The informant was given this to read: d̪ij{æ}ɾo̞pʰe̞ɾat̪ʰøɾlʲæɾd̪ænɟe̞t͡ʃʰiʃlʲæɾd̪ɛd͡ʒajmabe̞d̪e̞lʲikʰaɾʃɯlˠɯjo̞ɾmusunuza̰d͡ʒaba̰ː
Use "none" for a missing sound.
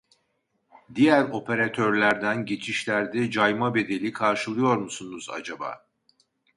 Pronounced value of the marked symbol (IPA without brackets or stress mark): æ